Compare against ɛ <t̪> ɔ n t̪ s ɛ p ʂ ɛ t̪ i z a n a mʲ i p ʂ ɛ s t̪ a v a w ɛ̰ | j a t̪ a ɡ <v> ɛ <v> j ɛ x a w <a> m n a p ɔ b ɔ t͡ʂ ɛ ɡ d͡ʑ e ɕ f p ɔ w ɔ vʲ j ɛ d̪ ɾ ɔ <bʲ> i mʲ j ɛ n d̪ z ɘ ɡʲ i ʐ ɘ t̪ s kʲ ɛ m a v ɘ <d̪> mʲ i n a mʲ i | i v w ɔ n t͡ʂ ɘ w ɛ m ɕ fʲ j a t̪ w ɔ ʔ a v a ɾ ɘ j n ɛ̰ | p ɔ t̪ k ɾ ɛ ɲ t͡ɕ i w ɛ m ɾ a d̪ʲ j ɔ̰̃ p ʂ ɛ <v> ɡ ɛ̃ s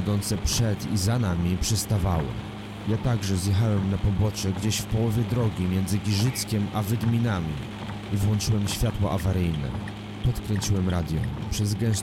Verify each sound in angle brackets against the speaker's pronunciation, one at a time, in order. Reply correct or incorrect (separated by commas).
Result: incorrect, incorrect, incorrect, incorrect, incorrect, correct, incorrect